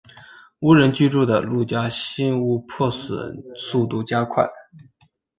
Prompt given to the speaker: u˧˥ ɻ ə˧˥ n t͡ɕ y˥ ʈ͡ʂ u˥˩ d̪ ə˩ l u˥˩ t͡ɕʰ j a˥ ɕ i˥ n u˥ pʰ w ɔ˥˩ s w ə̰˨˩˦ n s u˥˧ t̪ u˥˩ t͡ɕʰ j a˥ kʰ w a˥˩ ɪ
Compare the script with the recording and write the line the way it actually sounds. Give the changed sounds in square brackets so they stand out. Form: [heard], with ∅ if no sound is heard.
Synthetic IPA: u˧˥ ɻ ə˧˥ n t͡ɕ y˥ ʈ͡ʂ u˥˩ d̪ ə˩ l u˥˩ [t͡ɕ] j a˥ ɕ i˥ n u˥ pʰ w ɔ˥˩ s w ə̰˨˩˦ n s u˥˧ t̪ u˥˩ [t͡ɕ] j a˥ kʰ w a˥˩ ɪ

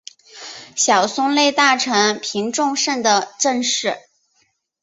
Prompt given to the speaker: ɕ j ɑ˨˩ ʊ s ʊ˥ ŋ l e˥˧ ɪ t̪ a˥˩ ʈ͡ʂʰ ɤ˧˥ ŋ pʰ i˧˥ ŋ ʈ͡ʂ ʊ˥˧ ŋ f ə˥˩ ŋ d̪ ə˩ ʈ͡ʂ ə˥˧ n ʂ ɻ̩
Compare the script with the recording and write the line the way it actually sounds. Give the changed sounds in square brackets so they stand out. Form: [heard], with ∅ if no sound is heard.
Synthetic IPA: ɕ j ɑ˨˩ ʊ s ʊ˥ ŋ l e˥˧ ɪ t̪ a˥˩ ʈ͡ʂʰ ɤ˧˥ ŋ pʰ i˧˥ ŋ ʈ͡ʂ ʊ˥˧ ŋ [ʂ] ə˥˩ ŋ d̪ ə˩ ʈ͡ʂ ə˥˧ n ʂ ɻ̩

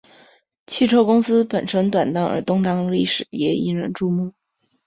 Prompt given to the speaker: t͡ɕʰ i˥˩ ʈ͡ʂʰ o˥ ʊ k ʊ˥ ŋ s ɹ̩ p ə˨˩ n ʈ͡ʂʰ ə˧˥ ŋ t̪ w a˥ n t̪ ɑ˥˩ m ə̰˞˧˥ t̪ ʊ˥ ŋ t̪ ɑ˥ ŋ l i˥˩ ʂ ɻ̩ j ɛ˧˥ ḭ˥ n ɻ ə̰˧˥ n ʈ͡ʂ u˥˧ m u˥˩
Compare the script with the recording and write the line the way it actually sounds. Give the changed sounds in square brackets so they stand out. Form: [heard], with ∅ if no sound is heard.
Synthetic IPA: t͡ɕʰ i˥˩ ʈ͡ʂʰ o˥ ʊ k ʊ˥ ŋ s ɹ̩ p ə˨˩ n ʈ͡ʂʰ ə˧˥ ŋ t̪ w [a˨˩] n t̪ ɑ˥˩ [ŋ] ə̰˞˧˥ t̪ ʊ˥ ŋ t̪ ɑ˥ ŋ l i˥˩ ʂ ɻ̩ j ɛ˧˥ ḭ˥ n ɻ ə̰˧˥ n ʈ͡ʂ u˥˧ m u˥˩

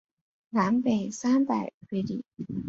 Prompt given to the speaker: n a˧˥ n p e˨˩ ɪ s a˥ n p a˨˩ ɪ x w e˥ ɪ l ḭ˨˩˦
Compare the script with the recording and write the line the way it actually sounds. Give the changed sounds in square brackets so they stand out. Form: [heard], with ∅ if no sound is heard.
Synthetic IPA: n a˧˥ n p e˨˩ ɪ s a˥ n p a˨˩ ɪ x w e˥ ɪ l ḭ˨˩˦

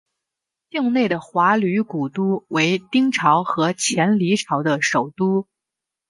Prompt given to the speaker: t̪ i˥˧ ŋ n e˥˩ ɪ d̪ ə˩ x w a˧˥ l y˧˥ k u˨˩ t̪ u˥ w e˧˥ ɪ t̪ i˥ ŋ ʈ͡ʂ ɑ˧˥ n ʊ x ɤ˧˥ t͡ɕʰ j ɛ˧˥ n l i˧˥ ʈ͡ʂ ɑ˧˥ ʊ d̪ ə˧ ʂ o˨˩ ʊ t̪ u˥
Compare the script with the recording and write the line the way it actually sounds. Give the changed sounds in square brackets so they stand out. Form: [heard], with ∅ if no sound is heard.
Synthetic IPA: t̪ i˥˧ ŋ n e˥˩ ɪ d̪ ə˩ x w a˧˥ l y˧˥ k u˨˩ t̪ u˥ w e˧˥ ɪ t̪ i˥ ŋ [ʈ͡ʂʰ] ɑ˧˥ [∅] ʊ x ɤ˧˥ t͡ɕʰ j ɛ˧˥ n l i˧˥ [ʈ͡ʂʰ] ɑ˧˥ ʊ d̪ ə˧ ʂ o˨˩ ʊ t̪ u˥

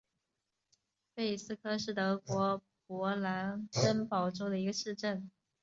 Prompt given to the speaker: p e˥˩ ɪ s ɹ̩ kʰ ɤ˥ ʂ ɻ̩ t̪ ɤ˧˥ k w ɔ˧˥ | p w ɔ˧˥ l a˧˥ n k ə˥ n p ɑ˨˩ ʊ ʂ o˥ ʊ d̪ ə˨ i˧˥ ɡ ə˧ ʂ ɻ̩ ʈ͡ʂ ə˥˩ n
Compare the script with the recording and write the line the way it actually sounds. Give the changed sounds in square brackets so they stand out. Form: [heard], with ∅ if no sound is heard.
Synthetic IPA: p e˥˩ ɪ s ɹ̩ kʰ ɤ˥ ʂ ɻ̩ t̪ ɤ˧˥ k w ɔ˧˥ | p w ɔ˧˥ l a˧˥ n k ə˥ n p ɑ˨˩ ʊ [ʈ͡ʂ] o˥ ʊ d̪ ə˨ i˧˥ ɡ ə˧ ʂ ɻ̩ ʈ͡ʂ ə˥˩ n

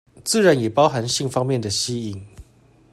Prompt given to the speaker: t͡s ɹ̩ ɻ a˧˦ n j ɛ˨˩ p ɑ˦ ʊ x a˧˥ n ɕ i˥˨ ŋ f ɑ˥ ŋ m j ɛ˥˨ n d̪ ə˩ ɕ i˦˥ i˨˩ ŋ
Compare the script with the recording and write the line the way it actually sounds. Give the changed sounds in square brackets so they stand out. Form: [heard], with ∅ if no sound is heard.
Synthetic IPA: t͡s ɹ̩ ɻ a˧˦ n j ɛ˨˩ p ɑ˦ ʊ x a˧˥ n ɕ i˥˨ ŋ f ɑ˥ ŋ m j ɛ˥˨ n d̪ ə˩ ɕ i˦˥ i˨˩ ŋ

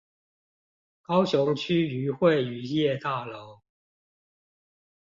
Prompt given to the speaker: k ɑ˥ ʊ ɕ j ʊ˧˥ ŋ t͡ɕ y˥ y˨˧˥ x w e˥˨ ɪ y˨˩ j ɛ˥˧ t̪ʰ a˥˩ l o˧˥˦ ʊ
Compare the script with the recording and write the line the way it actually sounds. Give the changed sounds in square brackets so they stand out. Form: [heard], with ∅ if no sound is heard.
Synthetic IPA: k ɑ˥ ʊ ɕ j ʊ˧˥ ŋ [t͡ɕʰ] y˥ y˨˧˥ x w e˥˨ ɪ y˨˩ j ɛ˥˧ [t̪] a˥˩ l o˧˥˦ ʊ

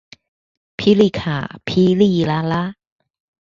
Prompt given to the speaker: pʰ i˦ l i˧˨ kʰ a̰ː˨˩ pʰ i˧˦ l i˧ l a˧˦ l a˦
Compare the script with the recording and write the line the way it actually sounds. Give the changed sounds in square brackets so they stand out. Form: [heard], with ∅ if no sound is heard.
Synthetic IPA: pʰ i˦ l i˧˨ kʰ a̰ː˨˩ pʰ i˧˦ l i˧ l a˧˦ l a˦

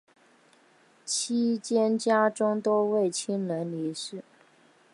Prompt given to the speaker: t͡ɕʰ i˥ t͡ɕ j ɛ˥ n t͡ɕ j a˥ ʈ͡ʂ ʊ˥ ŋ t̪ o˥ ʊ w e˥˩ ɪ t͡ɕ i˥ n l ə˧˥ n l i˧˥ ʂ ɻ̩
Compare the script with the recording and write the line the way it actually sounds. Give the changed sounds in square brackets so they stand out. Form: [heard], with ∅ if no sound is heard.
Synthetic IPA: t͡ɕʰ i˥ t͡ɕ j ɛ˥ n t͡ɕ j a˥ ʈ͡ʂ ʊ˥ ŋ t̪ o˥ ʊ w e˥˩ ɪ [t͡ɕʰ] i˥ n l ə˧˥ n l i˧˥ ʂ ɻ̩

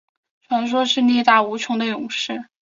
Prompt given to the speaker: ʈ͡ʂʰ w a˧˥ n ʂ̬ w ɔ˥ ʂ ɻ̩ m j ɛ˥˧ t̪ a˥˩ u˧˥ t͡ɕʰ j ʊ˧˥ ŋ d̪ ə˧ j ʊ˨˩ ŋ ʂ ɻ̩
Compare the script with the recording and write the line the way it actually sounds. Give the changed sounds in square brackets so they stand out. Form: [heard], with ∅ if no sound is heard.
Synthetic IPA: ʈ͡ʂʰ w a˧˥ n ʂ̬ w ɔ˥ ʂ ɻ̩ [n] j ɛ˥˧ t̪ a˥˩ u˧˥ t͡ɕʰ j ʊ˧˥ ŋ d̪ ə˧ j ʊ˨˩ ŋ ʂ ɻ̩

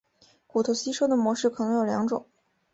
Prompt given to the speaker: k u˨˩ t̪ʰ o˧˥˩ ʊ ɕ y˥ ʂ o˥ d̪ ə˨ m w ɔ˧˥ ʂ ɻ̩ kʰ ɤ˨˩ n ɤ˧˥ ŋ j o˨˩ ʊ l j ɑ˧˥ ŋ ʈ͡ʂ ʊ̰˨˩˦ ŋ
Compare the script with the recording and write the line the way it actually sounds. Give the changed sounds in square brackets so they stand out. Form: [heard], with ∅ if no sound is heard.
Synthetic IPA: k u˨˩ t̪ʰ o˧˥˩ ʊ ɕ [i˥] ʂ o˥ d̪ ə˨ m w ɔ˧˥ ʂ ɻ̩ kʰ ɤ˨˩ n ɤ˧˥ ŋ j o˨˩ ʊ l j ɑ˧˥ ŋ ʈ͡ʂ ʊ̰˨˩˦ ŋ

